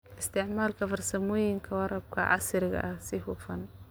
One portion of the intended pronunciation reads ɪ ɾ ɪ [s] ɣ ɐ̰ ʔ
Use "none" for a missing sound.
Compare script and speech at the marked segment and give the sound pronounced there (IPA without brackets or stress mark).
none